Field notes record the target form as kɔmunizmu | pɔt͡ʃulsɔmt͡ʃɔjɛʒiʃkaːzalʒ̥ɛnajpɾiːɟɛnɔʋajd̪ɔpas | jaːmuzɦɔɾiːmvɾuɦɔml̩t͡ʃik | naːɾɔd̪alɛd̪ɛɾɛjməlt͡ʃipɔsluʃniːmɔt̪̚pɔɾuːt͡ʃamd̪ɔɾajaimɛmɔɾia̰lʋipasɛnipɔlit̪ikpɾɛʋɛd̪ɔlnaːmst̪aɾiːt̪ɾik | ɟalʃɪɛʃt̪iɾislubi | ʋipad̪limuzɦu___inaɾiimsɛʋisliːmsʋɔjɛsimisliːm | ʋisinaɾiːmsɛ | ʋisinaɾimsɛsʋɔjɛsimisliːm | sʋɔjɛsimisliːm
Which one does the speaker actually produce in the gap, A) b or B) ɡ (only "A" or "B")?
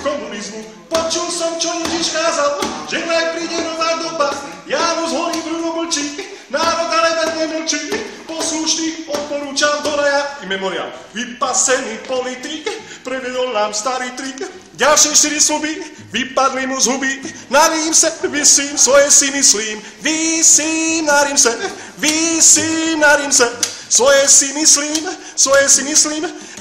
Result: A